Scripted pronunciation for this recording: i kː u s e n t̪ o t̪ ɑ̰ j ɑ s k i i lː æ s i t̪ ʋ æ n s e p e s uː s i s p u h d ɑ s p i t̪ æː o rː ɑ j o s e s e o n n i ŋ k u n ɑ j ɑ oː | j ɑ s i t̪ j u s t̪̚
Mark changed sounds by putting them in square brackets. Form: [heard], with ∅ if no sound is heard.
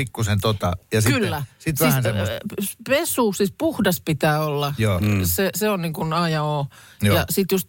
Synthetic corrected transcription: i kː u s e n t̪ o t̪ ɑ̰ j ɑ s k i [y] lː æ s i t̪ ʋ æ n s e p e s uː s i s p u h d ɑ s p i t̪ æː o [lː] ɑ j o s e s e o n n i ŋ k u n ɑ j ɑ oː | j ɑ s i t̪ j u s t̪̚